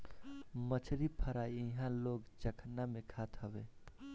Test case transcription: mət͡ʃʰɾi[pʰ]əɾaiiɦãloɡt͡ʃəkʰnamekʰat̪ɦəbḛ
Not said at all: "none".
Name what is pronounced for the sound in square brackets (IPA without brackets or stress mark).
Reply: pʰ